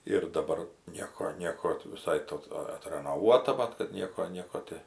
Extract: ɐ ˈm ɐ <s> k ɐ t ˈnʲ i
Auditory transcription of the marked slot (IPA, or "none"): t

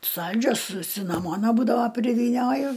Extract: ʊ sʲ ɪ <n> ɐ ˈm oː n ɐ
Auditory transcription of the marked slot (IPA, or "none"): n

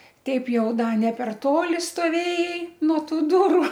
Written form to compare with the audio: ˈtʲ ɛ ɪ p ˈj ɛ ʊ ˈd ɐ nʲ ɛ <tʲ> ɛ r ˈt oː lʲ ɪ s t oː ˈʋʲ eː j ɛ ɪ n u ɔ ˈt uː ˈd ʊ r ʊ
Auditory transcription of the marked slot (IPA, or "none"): pʲ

